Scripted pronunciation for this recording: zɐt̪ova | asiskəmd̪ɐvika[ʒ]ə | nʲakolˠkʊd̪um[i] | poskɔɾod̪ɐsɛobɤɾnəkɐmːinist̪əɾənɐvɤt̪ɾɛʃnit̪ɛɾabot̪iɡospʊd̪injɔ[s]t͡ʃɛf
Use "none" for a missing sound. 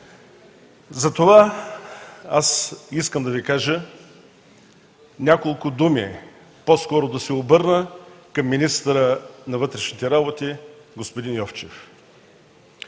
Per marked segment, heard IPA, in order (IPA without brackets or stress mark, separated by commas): ʒ, i, f